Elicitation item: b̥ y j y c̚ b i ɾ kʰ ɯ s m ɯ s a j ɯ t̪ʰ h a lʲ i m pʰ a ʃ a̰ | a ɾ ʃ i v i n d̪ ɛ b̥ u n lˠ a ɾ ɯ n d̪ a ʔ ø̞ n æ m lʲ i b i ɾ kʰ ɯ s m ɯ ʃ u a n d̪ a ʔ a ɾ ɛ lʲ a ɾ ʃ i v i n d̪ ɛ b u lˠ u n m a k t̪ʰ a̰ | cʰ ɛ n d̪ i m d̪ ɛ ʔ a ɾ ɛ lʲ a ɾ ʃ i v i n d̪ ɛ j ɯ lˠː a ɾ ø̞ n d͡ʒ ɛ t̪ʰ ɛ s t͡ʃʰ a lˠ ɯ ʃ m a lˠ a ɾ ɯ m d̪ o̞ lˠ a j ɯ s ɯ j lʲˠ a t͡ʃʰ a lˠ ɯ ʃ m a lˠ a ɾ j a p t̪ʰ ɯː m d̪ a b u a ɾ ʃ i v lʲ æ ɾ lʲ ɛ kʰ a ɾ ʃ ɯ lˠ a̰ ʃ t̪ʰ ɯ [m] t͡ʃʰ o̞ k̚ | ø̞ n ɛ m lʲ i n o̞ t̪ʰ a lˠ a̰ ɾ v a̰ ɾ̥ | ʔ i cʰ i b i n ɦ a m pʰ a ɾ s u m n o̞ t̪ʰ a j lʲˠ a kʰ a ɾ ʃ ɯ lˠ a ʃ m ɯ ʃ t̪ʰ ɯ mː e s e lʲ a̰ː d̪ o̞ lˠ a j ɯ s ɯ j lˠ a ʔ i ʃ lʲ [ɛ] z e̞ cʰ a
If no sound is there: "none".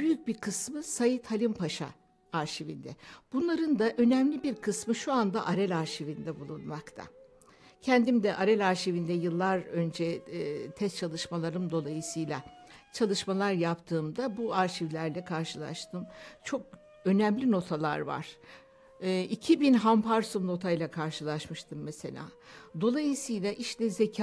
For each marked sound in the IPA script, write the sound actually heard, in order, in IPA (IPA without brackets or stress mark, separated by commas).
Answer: m, ɛ